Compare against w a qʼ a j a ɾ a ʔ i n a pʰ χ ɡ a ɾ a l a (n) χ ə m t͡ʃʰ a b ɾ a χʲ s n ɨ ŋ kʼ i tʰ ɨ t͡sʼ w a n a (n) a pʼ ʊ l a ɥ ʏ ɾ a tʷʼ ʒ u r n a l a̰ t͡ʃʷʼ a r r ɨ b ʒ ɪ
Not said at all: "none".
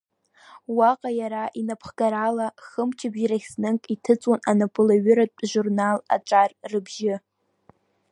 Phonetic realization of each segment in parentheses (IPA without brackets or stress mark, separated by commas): none, n